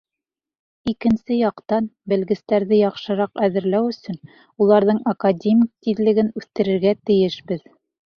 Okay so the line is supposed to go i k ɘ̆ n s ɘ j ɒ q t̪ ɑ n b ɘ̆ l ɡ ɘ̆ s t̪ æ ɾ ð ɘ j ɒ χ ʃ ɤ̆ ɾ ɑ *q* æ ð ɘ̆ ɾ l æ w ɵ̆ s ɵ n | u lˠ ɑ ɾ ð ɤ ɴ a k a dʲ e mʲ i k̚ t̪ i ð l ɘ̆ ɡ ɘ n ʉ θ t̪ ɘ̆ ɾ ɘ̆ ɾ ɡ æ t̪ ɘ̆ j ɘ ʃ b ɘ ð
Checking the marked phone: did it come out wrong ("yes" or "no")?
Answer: no